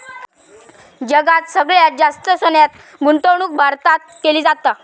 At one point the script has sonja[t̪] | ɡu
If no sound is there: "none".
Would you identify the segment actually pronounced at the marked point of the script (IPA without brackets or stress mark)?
t̪